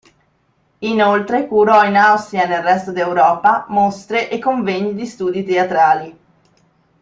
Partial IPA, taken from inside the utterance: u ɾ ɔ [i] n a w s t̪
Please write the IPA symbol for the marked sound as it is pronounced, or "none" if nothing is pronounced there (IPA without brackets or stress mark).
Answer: i